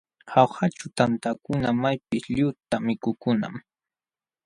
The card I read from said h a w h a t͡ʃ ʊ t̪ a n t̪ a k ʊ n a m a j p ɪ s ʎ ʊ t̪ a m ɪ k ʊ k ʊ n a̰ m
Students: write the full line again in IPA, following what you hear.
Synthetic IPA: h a w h a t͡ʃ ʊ t̪ a n t̪ a k ʊ n a m a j p ɪ s ʎ ʊ t̪ a m ɪ k ʊ k ʊ n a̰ m